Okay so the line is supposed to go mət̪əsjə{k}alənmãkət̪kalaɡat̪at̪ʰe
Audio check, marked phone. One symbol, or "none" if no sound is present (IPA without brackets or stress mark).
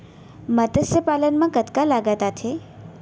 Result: p